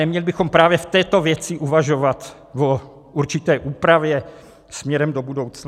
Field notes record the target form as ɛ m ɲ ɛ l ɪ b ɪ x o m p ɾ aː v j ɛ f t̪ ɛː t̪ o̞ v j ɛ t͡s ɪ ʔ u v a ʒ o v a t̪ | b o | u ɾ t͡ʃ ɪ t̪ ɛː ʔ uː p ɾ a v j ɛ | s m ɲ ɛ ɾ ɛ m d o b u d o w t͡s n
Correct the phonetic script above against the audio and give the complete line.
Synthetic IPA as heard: ɛ m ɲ ɛ l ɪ b ɪ x o m p ɾ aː v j ɛ f t̪ ɛː t̪ o̞ v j ɛ t͡s ɪ ʔ u v a ʒ o v a t̪ | v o | u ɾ t͡ʃ ɪ t̪ ɛː ʔ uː p ɾ a v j ɛ | s m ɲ ɛ ɾ ɛ m d o b u d o w t͡s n